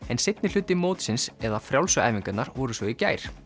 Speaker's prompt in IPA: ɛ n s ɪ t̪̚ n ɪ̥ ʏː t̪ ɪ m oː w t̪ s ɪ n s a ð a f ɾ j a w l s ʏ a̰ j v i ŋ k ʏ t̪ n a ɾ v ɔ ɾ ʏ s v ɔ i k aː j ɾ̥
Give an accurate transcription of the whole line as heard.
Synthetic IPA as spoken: ɛ n s ɪ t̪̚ n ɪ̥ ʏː t̪ ɪ m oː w t̪ s ɪ n s ɛ ð a f ɾ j a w l s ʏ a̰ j v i ŋ k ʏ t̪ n a ɾ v ɔ ɾ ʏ s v ɔ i c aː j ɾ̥